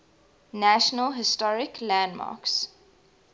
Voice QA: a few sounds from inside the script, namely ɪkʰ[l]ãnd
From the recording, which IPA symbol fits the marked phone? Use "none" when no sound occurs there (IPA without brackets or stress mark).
l